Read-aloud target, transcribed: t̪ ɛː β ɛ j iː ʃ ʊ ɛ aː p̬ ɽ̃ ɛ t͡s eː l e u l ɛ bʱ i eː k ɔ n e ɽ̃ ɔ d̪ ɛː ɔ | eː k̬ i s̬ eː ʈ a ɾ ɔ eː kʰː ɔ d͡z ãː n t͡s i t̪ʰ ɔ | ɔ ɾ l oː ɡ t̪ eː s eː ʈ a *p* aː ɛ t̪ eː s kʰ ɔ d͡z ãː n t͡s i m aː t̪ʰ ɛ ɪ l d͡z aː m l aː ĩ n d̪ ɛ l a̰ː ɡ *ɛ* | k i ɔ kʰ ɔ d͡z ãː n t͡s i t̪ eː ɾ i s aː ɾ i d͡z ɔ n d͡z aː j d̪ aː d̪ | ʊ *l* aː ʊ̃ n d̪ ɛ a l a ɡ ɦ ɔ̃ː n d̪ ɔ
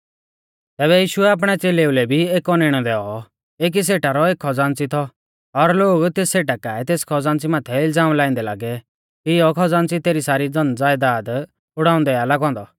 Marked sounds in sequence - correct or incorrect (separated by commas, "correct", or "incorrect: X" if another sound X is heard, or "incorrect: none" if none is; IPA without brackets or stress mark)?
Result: incorrect: k, correct, incorrect: ɽ